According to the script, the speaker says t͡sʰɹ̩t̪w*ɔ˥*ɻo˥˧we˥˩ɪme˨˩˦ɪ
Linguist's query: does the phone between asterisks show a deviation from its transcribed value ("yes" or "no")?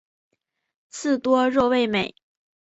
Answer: no